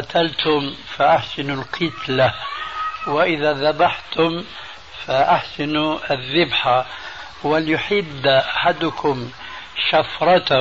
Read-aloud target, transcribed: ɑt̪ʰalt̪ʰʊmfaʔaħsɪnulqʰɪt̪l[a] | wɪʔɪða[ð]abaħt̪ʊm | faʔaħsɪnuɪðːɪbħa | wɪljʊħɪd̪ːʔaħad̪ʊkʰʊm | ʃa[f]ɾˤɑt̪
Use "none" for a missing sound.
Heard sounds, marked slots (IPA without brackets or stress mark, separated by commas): a, ð, f